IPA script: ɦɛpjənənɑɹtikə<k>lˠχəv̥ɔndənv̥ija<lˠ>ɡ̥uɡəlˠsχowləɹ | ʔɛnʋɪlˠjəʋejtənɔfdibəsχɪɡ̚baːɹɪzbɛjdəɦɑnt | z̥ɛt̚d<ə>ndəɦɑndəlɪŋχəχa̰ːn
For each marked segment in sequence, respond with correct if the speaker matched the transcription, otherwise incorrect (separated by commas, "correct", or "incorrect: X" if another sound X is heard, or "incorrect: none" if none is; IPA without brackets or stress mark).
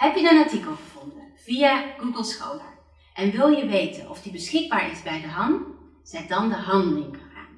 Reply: incorrect: none, incorrect: none, incorrect: ɑ